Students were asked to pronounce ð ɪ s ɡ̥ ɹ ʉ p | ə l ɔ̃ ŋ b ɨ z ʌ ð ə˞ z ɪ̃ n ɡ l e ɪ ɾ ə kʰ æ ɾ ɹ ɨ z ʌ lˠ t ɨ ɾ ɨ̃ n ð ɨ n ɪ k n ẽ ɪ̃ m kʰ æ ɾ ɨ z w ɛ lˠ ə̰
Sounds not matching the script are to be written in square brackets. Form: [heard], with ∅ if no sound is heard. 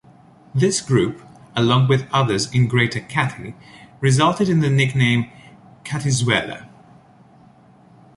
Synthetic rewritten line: ð ɪ s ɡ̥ ɹ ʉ p | ə l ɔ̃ ŋ [w] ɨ [ð] ʌ ð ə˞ z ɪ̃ n ɡ [ɹ] e ɪ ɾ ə kʰ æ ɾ ɹ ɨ z ʌ lˠ t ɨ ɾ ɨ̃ n ð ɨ n ɪ k n ẽ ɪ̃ m kʰ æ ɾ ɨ z w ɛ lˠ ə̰